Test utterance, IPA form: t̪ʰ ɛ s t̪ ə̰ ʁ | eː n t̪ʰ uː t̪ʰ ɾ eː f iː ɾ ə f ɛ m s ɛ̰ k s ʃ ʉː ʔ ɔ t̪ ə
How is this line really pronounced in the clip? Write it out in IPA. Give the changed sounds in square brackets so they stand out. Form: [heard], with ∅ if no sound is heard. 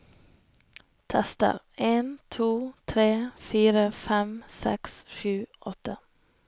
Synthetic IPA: t̪ʰ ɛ s t̪ ə̰ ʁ | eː n t̪ʰ uː t̪ʰ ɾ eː f iː ɾ ə f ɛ m s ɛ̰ k s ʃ ʉː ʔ ɔ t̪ ə